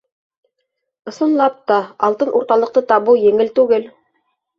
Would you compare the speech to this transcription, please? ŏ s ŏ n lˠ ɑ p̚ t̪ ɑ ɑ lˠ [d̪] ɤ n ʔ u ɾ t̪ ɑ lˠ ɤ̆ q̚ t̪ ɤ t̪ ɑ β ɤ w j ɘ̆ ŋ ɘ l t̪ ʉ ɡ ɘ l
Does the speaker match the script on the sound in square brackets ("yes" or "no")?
no